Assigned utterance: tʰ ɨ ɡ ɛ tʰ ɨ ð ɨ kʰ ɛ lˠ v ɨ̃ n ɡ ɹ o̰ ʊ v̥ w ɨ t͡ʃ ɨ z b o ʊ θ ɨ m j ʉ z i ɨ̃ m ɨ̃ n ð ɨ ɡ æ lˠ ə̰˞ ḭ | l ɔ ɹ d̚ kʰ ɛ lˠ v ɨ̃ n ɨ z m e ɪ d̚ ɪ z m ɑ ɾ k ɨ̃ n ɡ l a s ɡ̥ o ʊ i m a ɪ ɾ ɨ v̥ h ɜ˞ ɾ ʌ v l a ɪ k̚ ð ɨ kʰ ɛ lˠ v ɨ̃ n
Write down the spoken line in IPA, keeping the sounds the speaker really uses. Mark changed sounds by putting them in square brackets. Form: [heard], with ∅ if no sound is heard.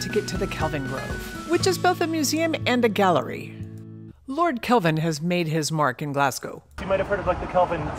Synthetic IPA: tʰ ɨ ɡ ɛ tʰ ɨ ð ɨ kʰ ɛ lˠ v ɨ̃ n ɡ ɹ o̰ ʊ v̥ w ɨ t͡ʃ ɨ z b o ʊ θ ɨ m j ʉ z i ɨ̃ m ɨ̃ n ð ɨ ɡ æ lˠ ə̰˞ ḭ | l ɔ ɹ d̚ kʰ ɛ lˠ v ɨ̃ n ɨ z m e ɪ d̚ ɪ z m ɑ [ɹ] k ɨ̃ n ɡ l [æ] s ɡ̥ o ʊ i m a ɪ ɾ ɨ v̥ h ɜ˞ ɾ ʌ v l a ɪ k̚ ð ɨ kʰ ɛ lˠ v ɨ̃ n